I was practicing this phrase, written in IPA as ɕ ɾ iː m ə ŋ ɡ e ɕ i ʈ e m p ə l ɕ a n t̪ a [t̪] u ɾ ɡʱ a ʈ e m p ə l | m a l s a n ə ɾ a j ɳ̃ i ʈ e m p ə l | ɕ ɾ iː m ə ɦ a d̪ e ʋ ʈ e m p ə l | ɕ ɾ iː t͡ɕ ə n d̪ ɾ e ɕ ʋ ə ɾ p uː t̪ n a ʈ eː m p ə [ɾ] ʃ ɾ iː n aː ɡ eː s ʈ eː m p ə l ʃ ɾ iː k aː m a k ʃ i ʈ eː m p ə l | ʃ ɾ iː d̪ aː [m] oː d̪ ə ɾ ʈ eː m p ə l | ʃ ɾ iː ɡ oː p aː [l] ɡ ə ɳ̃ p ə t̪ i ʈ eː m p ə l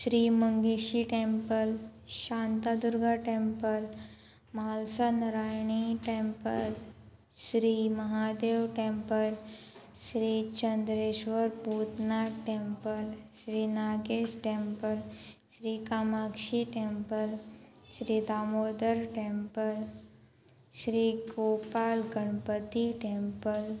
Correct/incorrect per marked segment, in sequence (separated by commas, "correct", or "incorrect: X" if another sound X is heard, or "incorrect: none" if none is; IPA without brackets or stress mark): incorrect: d̪, incorrect: l, correct, correct